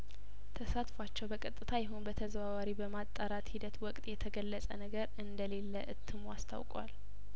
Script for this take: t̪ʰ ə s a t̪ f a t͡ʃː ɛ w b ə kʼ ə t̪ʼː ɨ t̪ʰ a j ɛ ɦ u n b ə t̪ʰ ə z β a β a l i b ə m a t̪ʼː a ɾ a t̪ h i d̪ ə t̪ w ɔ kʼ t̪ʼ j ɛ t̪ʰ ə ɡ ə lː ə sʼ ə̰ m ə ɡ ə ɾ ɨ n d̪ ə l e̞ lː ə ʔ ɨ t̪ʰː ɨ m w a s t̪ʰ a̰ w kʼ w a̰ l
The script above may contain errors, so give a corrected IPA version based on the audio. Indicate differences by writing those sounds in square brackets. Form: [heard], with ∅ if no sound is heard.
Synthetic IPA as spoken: t̪ʰ ə s a t̪ f a t͡ʃː ɛ w b ə kʼ ə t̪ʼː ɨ t̪ʰ a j ɛ ɦ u n b ə t̪ʰ ə z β a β a [ɾ] i b ə m a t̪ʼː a ɾ a t̪ h i d̪ ə t̪ w ɔ kʼ t̪ʼ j ɛ t̪ʰ ə ɡ ə lː ə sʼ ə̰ [n] ə ɡ ə ɾ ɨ n d̪ ə l e̞ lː ə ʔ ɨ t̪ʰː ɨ m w a s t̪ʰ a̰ w kʼ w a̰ l